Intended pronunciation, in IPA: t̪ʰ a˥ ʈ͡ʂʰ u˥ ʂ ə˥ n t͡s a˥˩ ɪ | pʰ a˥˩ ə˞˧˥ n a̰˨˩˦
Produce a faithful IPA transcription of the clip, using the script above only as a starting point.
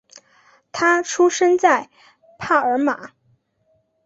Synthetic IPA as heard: t̪ʰ a˥ ʈ͡ʂʰ u˥ ʂ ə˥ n t͡s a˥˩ ɪ | pʰ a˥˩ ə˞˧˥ m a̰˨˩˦